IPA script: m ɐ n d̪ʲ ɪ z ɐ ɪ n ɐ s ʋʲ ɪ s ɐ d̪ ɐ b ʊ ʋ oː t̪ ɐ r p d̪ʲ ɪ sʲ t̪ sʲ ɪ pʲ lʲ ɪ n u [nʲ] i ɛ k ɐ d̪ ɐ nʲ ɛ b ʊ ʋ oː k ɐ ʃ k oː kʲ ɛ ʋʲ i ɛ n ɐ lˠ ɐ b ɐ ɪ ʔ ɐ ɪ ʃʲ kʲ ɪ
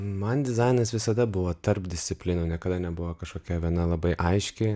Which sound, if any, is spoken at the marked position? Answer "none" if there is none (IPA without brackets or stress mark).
nʲ